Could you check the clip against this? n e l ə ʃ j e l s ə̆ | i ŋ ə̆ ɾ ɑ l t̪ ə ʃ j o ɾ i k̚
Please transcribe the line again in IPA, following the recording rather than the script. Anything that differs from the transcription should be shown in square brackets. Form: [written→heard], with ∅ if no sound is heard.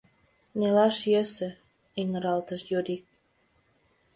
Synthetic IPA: n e l [ə→ɑ] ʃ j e [l→∅] s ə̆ | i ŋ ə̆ ɾ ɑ l t̪ ə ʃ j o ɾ i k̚